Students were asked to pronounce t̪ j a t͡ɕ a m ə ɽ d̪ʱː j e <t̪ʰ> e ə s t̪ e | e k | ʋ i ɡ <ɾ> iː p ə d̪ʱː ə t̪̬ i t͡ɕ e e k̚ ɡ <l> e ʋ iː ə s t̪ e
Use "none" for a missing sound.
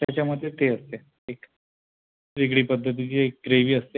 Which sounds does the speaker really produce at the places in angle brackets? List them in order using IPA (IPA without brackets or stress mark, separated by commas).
t̪, ɽ, ɾ